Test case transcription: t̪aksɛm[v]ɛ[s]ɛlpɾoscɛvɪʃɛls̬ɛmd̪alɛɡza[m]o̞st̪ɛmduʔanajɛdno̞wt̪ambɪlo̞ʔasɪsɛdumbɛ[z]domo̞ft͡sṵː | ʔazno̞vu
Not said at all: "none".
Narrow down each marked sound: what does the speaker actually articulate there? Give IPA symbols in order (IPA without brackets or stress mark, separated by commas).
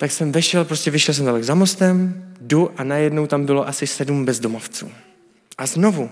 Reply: v, ʃ, m, z